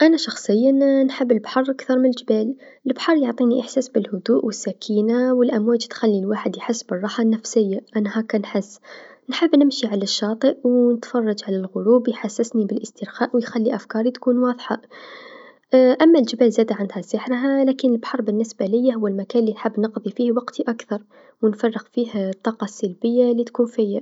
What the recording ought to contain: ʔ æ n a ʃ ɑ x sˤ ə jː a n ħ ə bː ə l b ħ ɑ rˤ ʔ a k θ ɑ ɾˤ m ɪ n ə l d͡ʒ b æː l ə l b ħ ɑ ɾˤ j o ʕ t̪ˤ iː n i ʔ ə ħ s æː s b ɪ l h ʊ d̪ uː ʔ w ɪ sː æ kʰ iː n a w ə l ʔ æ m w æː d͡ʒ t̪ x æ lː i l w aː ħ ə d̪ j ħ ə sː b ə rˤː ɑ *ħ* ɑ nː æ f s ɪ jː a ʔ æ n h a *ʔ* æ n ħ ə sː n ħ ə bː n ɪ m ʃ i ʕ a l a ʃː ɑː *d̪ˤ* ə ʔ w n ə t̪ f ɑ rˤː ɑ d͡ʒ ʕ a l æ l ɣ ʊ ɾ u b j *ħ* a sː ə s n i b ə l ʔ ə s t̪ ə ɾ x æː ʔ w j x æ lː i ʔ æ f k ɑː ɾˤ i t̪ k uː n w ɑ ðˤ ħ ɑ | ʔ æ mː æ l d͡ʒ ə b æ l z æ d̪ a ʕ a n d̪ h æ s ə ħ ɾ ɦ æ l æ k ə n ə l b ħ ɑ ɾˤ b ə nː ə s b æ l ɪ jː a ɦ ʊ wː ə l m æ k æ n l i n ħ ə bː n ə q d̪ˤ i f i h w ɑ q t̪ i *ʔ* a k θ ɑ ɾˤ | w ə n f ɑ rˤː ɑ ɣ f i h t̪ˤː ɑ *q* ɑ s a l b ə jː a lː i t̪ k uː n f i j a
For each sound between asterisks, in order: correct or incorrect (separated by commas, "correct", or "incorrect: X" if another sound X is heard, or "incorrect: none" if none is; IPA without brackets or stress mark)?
correct, incorrect: k, incorrect: t̪ˤ, correct, correct, correct